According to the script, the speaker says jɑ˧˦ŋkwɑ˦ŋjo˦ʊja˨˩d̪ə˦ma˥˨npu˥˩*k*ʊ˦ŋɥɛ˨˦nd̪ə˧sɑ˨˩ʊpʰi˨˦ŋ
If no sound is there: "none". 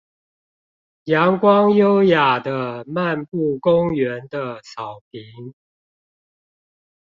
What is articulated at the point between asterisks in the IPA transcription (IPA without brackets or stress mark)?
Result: k